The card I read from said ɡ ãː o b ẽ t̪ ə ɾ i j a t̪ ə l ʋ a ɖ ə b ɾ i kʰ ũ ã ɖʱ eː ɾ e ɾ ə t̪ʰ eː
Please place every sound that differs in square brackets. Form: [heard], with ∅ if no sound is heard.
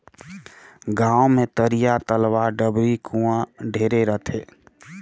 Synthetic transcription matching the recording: ɡ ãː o [m] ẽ t̪ ə ɾ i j a t̪ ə l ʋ a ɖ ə b ɾ i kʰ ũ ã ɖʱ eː ɾ e ɾ ə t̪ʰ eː